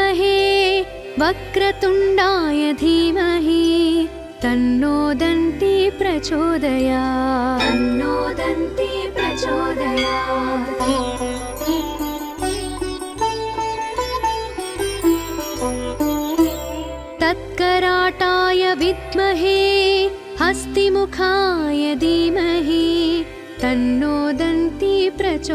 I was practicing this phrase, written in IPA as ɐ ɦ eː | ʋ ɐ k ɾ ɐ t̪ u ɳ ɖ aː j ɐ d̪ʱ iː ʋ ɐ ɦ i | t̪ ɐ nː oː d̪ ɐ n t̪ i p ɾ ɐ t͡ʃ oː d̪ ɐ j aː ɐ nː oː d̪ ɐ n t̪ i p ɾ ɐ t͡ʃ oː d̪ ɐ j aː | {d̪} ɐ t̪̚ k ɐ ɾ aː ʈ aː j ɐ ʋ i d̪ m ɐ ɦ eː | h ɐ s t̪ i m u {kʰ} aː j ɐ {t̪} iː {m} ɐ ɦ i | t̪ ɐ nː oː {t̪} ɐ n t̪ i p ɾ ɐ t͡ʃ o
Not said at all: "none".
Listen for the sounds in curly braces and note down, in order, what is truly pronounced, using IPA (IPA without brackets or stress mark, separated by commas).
t̪, kʰ, d̪, m, d̪